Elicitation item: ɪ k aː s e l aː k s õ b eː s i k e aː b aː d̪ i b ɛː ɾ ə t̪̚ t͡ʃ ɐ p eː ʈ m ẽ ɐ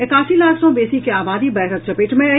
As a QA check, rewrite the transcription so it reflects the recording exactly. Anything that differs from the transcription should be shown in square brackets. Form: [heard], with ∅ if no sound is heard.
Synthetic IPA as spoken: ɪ k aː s [i] l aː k s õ b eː s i k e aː b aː d̪ i b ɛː ɾ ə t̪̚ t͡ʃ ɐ p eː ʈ m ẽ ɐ